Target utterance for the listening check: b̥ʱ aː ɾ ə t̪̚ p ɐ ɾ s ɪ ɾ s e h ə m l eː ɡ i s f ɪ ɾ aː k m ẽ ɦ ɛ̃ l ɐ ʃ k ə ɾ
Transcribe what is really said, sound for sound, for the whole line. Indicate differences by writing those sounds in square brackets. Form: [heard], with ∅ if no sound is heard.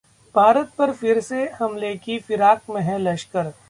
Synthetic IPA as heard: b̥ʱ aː ɾ ə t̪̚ p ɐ ɾ [f] ɪ ɾ s e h [ɐ] m l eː [k] i [∅] f ɪ ɾ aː k m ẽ ɦ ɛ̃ l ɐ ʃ k ə ɾ